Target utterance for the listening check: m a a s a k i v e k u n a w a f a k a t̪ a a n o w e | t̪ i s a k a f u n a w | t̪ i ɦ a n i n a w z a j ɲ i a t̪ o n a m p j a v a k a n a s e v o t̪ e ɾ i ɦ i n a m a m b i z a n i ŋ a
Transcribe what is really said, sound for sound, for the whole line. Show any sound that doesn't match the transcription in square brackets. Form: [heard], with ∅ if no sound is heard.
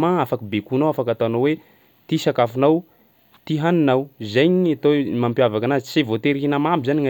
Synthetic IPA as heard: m a a [f] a k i [b] e k u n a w a f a k a t̪ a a n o w e | t̪ i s a k a f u n a w | t̪ i ɦ a n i n a w z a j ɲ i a t̪ o [m] a m p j a v a k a n a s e v o t̪ e ɾ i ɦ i n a m a m b i z a n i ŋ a

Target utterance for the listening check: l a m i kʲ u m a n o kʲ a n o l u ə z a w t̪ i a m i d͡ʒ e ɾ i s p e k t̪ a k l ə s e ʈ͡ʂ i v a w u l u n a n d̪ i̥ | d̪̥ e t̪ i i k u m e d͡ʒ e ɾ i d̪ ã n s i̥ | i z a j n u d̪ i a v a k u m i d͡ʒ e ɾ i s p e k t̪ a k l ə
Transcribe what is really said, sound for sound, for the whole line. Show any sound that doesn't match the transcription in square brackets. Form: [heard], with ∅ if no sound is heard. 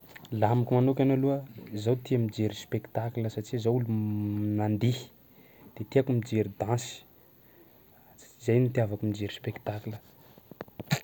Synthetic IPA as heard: l a m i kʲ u m a n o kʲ a n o l u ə z a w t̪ i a m i d͡ʒ e ɾ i s p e k t̪ a k l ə s [a] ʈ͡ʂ i [z] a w u l u n a n d̪ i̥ | d̪̥ e t̪ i [a] k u m [i] d͡ʒ e ɾ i d̪ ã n s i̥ | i z a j n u [t̪] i a v a k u m i d͡ʒ e ɾ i s p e k t̪ a k l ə

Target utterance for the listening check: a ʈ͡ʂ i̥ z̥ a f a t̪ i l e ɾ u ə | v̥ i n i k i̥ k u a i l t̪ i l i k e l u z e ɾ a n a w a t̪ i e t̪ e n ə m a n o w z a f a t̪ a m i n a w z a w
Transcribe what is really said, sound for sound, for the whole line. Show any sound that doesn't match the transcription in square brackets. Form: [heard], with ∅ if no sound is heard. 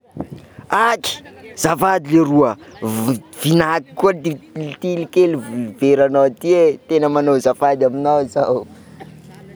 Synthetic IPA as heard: a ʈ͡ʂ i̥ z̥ a f a [d̪] i l e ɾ u ə | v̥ i n [a] k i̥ k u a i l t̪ i l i k e l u [v] e ɾ a n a w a t̪ i e t̪ e n ə m a n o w z a f a [d̪] a m i n a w z a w

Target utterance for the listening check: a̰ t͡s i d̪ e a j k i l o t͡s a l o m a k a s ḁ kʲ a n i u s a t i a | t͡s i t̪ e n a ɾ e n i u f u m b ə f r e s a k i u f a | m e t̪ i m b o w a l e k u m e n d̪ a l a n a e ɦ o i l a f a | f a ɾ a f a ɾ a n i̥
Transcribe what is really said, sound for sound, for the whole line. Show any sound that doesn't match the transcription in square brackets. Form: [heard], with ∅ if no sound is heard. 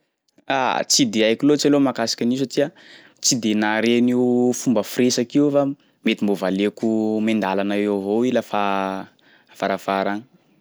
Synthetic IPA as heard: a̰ t͡s i d̪ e a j k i l o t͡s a l o m a k a s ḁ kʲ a n i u s a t i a | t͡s i [d̪] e n a ɾ e n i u f u m b ə f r e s a k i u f a | m e t̪ i m b o [v] a l e k u m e n d̪ a l a n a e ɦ o i l a f a | f a ɾ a f a ɾ a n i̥

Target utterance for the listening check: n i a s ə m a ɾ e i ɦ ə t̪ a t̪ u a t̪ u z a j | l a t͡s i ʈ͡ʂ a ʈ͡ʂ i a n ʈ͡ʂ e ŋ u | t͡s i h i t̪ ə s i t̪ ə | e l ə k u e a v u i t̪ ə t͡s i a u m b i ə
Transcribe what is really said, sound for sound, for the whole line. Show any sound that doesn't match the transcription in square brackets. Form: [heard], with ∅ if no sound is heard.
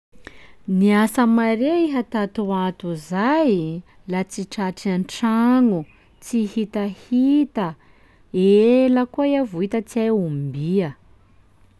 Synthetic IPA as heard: n i a s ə m a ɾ e i ɦ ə t̪ a t̪ u a t̪ u z a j | l a t͡s i ʈ͡ʂ a ʈ͡ʂ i a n ʈ͡ʂ [a] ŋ u | t͡s i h i t̪ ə [h] i t̪ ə | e l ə k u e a v u i t̪ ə t͡s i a u m b i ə

